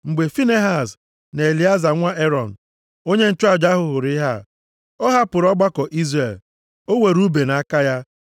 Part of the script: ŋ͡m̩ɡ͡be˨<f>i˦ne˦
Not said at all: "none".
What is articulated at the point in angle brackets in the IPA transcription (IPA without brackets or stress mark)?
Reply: f